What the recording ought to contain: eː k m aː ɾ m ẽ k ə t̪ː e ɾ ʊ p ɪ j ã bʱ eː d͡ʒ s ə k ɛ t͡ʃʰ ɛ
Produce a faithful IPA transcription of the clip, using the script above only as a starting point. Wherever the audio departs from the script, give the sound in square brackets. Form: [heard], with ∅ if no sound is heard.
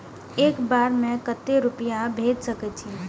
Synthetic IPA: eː k [b] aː ɾ m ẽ k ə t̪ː e ɾ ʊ p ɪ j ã bʱ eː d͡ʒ s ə k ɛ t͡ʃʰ [i]